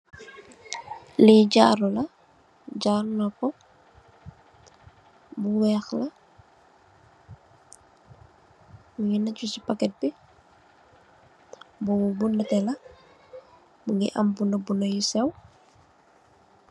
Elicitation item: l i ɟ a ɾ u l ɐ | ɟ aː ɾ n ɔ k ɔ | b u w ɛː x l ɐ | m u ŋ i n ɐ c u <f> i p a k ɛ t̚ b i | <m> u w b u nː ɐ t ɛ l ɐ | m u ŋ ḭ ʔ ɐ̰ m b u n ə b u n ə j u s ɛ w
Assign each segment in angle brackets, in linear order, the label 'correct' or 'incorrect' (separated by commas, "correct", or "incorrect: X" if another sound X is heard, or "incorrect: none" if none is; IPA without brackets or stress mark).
incorrect: s, incorrect: b